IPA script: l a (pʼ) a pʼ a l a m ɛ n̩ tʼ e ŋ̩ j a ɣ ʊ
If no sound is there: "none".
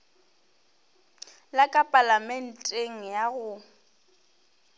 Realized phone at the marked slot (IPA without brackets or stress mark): kʼ